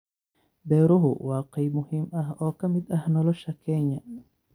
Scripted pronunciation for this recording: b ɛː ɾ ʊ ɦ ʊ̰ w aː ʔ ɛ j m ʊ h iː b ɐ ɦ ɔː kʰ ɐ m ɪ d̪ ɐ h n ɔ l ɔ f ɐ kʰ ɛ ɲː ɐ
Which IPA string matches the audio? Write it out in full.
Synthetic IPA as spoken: b ɛː ɾ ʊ ɦ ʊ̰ w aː q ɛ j m ʊ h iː m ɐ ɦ ɔː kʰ ɐ m ɪ d̪ ɐ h n ɔ l ɔ ʃ ɐ kʰ ɛ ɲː ɐ

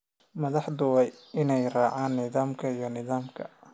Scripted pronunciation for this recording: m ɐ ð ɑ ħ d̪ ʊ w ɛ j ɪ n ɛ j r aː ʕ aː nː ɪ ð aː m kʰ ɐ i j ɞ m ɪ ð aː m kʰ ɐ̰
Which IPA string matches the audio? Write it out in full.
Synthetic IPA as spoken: m ɐ ð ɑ ħ d̪ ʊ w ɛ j ɪ n ɛ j r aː ʕ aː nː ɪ ð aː m kʰ ɐ i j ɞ n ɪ ð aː m kʰ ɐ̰

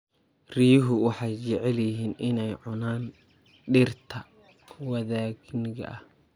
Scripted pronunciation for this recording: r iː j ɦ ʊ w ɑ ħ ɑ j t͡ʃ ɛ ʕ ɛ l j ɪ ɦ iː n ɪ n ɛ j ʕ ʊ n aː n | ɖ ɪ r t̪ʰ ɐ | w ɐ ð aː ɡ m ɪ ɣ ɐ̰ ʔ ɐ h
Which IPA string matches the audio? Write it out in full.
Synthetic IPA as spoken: r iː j ɦ ʊ w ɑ ħ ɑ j t͡ʃ ɛ ʕ ɛ l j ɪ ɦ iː n ɪ n ɛ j ʕ ʊ n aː n | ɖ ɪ r t̪ʰ ɐ | w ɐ ð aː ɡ n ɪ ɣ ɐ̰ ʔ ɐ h

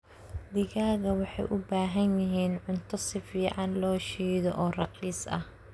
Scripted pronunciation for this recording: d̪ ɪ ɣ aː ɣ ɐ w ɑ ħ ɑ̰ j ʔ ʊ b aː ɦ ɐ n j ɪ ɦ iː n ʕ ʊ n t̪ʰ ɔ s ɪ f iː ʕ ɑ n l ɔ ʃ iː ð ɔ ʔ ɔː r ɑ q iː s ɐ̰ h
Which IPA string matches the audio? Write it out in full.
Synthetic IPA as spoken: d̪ ɪ ɣ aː ɣ ɐ w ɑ ħ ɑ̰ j ʔ ʊ b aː ɦ ɐ n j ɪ ɦ iː n ʕ ʊ n t̪ʰ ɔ s ɪ f iː ʕ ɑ n l ɔː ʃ iː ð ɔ ʔ ɔː r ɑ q iː s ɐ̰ h

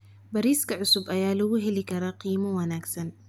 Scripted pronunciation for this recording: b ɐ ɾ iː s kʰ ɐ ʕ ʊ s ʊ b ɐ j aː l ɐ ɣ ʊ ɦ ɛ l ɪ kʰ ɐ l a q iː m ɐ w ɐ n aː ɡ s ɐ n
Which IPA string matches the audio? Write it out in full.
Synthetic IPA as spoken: b ɐ ɾ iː s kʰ ɐ ʕ ʊ s ʊ b ɐ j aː l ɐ ɣ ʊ ɦ ɛ l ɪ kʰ ɐ ɾ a q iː m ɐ w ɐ n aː ɡ s ɐ n

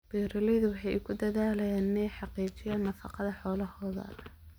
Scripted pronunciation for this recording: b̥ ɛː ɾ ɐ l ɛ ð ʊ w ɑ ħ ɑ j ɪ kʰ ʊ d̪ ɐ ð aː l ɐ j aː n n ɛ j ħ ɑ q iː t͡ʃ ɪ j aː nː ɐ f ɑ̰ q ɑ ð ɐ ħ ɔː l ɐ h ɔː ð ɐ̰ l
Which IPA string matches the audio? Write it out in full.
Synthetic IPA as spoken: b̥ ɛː ɾ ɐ l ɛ ð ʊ w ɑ ħ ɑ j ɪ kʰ ʊ d̪ ɐ ð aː l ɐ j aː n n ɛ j ħ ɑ q iː t͡ʃ ɪ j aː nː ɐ f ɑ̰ q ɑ ð ɐ ħ ɔː l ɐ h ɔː ð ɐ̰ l

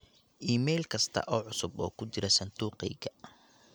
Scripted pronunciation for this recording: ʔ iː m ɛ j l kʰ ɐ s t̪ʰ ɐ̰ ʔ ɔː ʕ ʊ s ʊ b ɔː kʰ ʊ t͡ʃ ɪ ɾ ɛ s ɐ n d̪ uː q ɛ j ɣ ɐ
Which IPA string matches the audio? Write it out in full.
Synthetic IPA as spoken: ʔ iː m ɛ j l kʰ ɐ s t̪ʰ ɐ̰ ʔ ɔː ʕ ʊ s ʊ b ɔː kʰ ʊ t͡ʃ ɪ ɾ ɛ s ɐ n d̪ uː q ɛ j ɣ ɐ

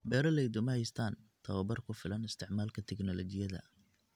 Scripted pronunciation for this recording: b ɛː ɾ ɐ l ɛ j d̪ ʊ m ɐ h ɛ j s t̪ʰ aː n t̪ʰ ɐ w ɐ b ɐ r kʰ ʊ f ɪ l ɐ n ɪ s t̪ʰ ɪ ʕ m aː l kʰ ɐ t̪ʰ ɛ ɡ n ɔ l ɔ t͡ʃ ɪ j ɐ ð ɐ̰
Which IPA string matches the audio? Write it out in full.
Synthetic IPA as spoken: b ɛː ɾ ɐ l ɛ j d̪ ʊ m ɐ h ɛ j s t̪ʰ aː n t̪ʰ ɐ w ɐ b ɐ r kʰ ʊ f ɪ l ɐ n ɪ s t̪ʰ ɪ ʕ m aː l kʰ ɐ t̪ʰ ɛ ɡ n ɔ l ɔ t͡ʃ ɪ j ɐ ð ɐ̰

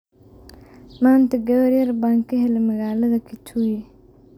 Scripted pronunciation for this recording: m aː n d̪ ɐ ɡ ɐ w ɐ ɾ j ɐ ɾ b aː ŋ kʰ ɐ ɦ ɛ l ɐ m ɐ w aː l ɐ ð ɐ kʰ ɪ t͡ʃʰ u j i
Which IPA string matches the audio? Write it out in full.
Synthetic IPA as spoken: m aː n t̪ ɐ ɡ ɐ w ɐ ɾ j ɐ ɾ b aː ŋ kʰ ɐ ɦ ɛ l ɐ m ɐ ɣ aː l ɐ ð ɐ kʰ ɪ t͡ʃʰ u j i

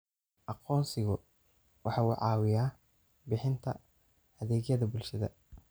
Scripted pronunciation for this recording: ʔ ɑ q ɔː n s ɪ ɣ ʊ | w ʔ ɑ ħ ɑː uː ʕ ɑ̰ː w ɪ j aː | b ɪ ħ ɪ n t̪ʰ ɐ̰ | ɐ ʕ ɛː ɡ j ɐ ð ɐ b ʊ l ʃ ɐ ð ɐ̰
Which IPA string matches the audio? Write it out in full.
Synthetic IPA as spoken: ʔ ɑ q ɔː n s ɪ ɣ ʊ | w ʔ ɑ ħ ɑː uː ʕ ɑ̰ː w ɪ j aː | b ɪ ħ ɪ n t̪ʰ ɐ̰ | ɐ ð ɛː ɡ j ɐ ð ɐ b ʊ l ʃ ɐ ð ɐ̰

